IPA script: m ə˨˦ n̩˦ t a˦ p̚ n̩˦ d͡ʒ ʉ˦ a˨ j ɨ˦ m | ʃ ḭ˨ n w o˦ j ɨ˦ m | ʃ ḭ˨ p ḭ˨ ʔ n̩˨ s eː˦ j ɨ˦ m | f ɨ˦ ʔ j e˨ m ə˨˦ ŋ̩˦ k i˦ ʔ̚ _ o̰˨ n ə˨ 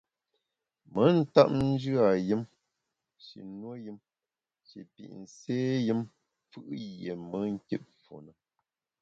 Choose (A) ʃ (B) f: B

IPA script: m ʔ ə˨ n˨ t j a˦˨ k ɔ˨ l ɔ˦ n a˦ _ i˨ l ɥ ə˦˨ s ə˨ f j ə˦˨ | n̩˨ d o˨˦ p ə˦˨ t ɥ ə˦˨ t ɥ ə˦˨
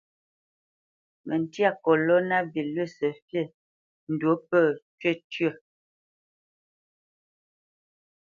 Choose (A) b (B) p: A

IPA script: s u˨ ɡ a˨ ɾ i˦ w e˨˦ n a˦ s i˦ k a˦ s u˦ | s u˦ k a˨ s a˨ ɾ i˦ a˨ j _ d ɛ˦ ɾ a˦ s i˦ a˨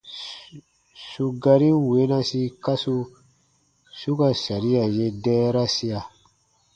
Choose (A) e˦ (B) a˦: A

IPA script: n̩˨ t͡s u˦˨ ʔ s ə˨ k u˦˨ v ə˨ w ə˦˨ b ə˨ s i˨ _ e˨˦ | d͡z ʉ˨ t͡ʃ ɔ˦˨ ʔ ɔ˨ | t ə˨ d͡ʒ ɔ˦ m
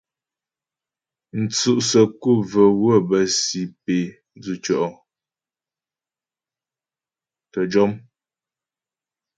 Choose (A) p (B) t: A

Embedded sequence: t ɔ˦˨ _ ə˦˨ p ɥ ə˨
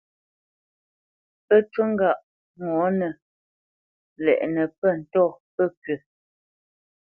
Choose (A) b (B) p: B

